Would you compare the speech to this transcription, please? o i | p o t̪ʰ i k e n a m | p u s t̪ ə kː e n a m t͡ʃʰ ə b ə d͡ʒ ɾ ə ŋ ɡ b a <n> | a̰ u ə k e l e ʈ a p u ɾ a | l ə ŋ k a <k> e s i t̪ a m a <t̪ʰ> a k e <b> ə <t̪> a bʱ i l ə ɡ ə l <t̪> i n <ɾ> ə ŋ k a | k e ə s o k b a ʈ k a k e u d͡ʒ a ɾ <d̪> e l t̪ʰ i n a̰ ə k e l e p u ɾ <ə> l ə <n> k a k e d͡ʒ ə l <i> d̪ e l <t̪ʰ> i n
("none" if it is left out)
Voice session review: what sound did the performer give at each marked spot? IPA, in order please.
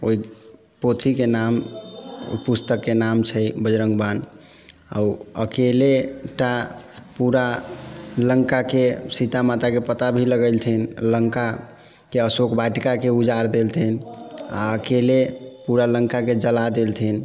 n, k, t̪, p, t̪, t̪ʰ, l, d̪, a, ŋ, a, t̪ʰ

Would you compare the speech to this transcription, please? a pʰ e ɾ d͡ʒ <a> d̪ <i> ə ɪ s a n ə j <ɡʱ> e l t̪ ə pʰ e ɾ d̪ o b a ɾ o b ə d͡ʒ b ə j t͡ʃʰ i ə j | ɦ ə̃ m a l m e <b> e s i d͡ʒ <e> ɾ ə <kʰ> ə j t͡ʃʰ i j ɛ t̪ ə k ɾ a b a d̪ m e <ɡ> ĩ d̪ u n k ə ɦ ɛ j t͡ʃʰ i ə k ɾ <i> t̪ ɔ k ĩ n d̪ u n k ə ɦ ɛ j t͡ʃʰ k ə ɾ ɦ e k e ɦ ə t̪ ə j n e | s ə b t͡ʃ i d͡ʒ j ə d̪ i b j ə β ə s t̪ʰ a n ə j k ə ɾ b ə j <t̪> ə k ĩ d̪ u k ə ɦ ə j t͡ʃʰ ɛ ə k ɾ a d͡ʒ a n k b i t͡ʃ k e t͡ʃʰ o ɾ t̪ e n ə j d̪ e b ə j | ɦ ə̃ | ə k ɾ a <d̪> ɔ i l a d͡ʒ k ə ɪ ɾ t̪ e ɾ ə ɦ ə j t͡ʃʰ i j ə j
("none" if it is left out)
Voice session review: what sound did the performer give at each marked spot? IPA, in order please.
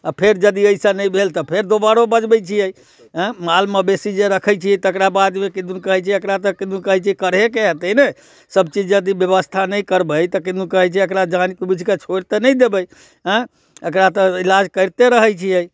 ə, i, bʱ, b, e, kʰ, k, a, t̪, t̪

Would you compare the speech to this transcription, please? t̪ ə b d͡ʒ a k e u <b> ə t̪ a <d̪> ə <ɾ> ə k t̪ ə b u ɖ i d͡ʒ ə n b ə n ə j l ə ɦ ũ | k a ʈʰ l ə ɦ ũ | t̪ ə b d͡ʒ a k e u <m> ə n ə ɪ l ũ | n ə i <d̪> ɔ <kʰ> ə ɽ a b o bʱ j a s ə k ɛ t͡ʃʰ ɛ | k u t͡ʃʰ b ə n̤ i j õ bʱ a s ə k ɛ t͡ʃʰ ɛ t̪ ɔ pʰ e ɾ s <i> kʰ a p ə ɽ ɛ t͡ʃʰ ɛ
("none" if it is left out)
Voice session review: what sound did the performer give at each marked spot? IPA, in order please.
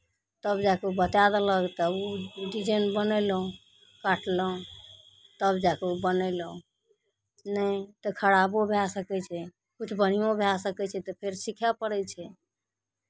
b, d̪, l, b, t̪, kʰ, i

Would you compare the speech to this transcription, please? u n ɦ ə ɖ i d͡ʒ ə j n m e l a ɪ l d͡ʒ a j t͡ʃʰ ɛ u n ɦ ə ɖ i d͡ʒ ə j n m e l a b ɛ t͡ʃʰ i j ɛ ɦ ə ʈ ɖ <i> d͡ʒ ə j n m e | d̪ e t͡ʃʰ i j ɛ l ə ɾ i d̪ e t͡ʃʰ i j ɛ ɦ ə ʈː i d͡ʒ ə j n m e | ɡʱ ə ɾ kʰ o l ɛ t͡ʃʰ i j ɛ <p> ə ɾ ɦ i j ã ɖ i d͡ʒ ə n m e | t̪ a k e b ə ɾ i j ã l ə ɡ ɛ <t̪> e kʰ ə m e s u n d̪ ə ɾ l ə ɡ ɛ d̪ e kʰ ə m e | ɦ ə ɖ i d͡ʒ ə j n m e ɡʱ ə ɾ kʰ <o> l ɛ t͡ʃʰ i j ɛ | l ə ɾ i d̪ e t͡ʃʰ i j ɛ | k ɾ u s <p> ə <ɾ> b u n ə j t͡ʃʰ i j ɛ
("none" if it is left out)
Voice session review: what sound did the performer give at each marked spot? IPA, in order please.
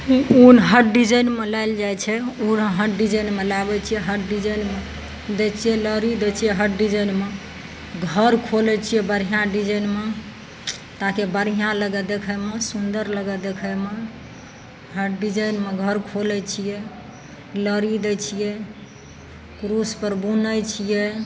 i, b, d̪, o, p, ɾ

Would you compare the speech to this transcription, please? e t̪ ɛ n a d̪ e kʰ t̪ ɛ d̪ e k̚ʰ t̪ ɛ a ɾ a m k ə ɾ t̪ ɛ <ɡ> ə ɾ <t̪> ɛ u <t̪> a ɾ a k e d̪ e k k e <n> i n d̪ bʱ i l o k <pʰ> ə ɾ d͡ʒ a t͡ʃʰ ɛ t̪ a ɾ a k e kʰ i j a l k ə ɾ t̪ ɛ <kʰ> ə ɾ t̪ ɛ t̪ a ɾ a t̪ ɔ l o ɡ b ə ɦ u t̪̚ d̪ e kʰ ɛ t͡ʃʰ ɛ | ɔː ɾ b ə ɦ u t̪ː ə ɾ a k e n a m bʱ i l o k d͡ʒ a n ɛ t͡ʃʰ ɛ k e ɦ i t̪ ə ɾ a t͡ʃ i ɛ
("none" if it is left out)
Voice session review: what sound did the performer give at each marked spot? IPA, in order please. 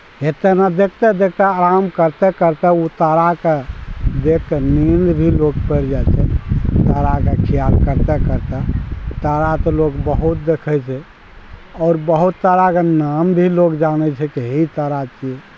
k, t̪, t̪, n, p, k

